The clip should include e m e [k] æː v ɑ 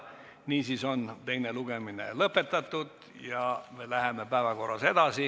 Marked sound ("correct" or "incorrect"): incorrect